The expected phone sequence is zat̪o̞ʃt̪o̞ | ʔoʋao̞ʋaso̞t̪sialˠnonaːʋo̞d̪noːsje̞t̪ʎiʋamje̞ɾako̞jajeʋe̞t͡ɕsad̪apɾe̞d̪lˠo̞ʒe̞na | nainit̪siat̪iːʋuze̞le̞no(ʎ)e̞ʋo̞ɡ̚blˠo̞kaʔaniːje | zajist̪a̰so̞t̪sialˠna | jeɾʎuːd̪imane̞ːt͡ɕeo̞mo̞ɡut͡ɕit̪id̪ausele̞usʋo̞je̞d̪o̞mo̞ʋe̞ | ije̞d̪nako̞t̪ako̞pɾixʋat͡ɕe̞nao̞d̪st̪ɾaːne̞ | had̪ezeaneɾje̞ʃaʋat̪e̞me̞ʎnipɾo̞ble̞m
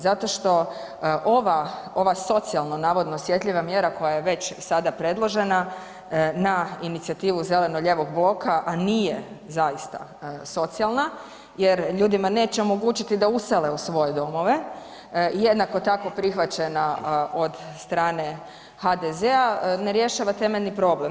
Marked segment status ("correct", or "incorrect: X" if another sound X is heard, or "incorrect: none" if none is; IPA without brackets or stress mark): correct